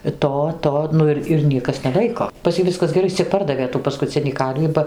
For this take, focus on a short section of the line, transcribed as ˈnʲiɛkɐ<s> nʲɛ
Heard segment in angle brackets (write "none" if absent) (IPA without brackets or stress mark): s